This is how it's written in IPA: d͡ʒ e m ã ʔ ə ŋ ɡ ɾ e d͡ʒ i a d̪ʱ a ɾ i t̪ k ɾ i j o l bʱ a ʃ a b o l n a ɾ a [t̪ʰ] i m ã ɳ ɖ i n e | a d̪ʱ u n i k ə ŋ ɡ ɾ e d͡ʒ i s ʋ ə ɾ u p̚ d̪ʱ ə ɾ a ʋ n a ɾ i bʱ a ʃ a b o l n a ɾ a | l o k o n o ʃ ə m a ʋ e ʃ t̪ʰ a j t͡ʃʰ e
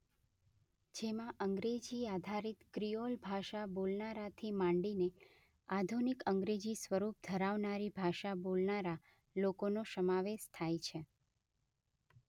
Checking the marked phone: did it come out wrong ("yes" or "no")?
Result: no